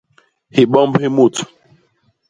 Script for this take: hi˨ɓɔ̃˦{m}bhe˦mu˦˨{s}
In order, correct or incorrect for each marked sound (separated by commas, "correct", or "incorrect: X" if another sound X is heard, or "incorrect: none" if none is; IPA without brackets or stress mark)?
correct, incorrect: t